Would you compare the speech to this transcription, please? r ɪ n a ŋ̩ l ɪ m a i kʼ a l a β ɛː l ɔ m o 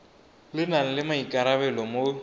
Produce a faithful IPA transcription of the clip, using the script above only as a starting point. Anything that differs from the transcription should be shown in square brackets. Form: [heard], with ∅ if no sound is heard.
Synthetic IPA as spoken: [l] ɪ n a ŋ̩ l ɪ m a i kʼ a [ɾ] a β [ɛ] l ɔ m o